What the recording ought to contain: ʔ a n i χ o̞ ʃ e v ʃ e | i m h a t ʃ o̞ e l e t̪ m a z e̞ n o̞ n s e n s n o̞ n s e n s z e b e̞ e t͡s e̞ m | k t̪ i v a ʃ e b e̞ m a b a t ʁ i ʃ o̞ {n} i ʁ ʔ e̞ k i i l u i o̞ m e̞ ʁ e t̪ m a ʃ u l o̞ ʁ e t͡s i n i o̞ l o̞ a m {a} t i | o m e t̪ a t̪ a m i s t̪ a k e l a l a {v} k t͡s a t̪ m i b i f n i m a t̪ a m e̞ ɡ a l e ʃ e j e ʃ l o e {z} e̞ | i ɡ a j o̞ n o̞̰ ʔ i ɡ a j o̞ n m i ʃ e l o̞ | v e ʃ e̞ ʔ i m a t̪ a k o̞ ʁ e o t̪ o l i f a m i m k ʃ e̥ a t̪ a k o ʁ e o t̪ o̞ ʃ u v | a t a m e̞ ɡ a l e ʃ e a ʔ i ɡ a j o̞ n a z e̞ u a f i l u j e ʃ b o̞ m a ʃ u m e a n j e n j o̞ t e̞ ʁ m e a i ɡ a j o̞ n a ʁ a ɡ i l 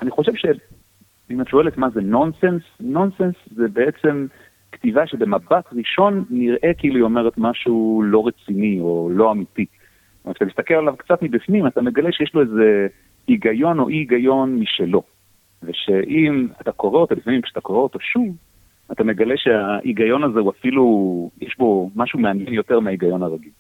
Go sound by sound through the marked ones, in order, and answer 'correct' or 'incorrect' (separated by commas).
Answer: incorrect, incorrect, correct, correct